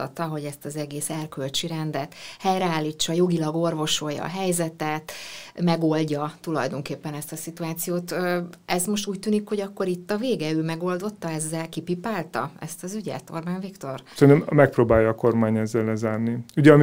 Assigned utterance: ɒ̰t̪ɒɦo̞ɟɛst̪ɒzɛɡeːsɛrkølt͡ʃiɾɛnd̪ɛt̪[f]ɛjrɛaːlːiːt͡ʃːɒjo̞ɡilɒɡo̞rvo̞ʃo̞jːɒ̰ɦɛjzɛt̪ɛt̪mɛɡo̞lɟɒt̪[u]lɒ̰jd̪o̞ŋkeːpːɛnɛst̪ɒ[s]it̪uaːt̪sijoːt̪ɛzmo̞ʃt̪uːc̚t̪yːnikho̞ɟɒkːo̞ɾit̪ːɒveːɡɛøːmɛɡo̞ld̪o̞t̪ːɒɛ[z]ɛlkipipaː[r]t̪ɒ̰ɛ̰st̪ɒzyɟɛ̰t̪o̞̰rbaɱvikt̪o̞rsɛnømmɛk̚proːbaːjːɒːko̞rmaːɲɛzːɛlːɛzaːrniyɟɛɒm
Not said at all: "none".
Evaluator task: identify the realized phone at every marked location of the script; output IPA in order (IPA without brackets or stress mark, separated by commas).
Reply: h, u, s, zː, l